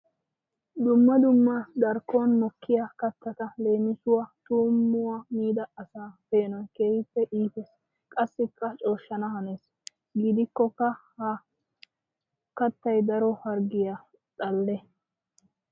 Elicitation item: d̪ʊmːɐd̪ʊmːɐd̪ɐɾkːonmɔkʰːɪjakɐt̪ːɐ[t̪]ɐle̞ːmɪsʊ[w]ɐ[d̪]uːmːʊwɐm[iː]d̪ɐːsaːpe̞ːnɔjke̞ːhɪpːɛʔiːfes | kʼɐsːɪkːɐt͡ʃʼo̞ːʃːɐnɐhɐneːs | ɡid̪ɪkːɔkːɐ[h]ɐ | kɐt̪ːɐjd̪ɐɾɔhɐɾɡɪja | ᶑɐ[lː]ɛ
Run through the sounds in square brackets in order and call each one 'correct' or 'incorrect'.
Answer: correct, correct, incorrect, correct, correct, correct

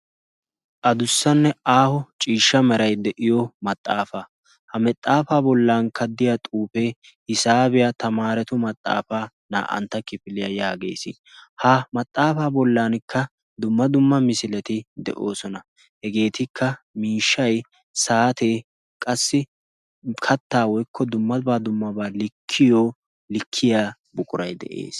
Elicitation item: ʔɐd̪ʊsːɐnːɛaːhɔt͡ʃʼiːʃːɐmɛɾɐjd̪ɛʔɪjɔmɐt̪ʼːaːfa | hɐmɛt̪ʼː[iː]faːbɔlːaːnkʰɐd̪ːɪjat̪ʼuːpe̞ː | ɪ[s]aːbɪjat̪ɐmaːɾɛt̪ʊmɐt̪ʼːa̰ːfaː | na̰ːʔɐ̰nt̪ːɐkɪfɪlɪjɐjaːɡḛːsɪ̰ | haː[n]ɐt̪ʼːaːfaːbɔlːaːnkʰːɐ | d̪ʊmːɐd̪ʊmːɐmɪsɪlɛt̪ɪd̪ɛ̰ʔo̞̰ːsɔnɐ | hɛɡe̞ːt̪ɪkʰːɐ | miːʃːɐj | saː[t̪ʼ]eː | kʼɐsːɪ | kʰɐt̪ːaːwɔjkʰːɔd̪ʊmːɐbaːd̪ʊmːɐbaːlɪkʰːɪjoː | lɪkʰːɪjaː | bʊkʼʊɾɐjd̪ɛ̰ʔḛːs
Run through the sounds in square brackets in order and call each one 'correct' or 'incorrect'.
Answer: incorrect, correct, incorrect, incorrect

